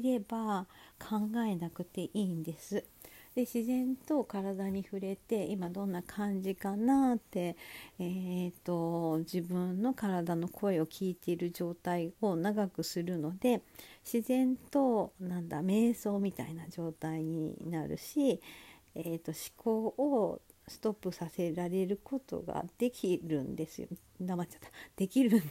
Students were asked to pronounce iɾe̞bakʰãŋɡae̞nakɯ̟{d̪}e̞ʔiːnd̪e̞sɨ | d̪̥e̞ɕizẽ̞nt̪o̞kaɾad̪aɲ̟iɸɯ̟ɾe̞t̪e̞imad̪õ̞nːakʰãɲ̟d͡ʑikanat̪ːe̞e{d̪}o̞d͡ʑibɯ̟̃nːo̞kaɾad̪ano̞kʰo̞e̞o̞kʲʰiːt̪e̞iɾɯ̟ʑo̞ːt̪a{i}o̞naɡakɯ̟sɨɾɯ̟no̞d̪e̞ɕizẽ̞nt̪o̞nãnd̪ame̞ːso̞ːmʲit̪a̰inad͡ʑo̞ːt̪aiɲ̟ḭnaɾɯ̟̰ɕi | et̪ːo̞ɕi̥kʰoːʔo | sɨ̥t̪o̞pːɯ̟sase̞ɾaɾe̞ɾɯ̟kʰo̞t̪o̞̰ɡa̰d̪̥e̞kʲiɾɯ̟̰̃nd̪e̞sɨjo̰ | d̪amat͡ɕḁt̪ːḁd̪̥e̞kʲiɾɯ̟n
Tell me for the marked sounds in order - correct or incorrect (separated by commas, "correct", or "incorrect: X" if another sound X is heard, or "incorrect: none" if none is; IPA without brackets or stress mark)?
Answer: incorrect: t̪, incorrect: t̪, correct